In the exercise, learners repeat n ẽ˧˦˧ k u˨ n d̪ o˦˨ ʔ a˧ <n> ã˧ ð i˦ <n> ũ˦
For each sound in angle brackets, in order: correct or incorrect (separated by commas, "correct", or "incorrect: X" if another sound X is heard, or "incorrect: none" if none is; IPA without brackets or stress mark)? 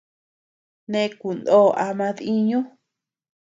incorrect: m, incorrect: ɲ